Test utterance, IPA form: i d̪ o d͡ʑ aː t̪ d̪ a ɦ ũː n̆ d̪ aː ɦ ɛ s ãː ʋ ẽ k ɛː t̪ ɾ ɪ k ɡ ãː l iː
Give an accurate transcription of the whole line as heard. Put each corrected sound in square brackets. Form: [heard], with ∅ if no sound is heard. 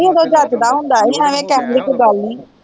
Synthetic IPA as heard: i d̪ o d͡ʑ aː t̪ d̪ a ɦ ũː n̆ d̪ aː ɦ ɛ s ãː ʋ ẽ k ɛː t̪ [l] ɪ k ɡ [aː] l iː